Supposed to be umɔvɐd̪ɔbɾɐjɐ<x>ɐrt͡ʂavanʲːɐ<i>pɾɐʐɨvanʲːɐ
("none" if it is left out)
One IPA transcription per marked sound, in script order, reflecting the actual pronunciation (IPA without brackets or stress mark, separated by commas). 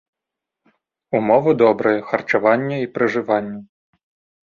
x, i